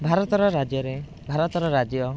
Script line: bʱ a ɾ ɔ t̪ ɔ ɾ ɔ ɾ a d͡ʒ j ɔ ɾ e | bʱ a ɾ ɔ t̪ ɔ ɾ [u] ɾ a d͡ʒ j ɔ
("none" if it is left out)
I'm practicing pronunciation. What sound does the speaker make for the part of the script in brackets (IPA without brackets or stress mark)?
ɔ